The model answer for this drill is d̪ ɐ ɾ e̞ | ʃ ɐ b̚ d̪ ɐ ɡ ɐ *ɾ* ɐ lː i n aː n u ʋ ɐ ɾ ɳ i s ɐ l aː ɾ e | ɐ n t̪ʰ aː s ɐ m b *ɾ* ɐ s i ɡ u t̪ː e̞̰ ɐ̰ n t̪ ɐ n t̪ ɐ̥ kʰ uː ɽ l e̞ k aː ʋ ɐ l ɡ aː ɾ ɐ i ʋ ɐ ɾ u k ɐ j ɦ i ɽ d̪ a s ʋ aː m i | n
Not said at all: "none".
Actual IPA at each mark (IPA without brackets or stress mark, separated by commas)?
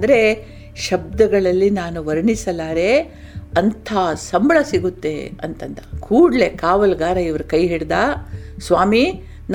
ɭ, ɭ